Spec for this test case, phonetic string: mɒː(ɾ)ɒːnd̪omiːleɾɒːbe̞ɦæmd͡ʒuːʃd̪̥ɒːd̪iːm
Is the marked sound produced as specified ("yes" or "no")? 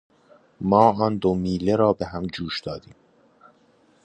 no